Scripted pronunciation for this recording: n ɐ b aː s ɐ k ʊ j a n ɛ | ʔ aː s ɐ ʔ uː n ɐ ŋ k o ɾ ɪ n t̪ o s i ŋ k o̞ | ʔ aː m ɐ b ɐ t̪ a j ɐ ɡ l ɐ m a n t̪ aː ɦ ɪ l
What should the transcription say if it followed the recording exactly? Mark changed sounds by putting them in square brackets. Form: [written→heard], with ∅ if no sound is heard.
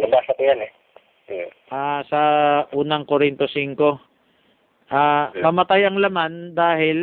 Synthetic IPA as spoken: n ɐ b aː s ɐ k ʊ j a n ɛ | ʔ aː s ɐ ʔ uː n ɐ ŋ k o ɾ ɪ n t̪ o s i ŋ k o̞ | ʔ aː m ɐ [b→m] ɐ t̪ a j ɐ [ɡ→ŋ] l ɐ m a n [t̪→d̪] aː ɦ ɪ l